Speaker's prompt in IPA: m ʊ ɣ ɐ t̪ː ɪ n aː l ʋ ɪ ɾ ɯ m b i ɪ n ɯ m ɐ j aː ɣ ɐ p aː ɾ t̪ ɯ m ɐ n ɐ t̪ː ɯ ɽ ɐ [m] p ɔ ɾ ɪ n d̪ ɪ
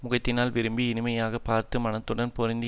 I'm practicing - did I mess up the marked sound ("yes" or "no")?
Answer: yes